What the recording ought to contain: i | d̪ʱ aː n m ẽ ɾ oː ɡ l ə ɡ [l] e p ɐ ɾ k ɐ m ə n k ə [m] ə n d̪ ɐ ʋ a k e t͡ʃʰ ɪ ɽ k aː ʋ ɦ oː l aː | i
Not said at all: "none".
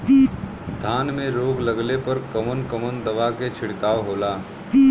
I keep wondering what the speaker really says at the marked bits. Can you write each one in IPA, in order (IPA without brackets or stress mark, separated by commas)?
l, m